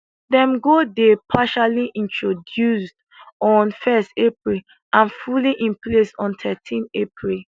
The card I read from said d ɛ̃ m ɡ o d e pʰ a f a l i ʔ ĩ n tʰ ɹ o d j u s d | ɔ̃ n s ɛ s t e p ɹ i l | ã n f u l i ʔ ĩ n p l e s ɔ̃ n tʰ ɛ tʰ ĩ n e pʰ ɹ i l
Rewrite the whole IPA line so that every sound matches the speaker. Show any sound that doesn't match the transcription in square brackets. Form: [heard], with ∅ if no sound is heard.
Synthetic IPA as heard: d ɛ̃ m ɡ o d e pʰ a [ʃ] a l i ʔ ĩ n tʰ ɹ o d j u s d | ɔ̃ n [f] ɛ s t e p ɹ i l | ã n f u l i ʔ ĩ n p l e s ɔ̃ n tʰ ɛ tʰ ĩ n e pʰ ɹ i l